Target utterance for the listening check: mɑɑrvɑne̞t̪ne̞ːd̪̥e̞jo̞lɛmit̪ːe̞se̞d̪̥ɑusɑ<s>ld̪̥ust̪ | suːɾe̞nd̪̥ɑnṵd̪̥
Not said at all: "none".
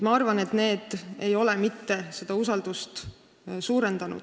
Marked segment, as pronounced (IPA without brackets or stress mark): none